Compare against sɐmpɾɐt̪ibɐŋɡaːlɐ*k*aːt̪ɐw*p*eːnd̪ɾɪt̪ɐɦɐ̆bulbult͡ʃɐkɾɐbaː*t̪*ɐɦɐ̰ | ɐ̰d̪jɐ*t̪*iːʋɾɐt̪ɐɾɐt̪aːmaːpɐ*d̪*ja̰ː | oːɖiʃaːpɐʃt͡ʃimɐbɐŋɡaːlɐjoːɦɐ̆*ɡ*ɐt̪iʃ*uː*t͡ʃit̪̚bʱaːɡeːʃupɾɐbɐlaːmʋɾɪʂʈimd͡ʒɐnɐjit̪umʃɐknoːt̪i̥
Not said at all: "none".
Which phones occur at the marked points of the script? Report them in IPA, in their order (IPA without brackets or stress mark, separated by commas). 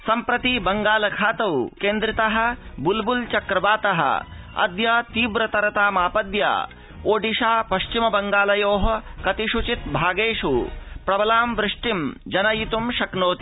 kʰ, k, t̪, t̪, d̪, k, u